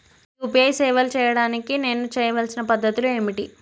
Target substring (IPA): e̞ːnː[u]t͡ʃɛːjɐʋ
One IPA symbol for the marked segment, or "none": u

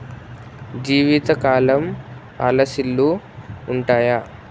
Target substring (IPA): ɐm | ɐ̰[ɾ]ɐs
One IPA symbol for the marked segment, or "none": l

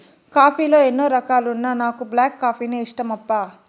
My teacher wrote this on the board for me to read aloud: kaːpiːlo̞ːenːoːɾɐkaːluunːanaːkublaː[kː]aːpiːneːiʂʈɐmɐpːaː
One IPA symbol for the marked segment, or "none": kː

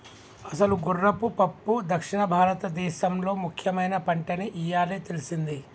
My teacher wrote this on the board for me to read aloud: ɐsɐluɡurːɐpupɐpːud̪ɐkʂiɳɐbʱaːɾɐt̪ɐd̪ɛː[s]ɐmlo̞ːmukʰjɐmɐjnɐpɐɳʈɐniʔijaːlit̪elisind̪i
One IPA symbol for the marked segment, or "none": ʃ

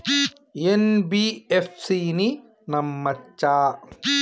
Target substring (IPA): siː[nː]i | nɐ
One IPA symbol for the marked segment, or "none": n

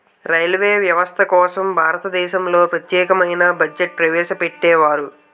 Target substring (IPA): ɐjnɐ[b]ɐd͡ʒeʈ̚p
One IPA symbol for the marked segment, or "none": b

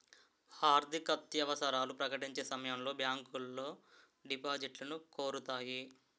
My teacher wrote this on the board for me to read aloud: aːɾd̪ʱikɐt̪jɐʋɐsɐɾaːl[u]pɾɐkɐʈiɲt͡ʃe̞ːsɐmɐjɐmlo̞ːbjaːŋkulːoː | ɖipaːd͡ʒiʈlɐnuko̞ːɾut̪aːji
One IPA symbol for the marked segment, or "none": u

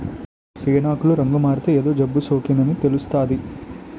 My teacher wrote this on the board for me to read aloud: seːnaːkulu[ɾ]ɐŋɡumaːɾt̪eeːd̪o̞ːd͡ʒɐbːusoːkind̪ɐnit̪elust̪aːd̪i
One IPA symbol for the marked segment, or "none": ɾ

